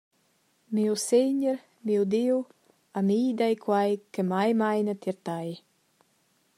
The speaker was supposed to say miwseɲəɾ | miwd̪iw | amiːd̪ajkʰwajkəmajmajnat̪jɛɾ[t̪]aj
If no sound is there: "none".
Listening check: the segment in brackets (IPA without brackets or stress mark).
t̪